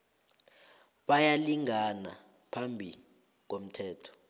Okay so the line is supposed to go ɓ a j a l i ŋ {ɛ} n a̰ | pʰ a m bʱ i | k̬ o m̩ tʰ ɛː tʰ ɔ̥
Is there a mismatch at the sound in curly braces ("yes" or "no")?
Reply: yes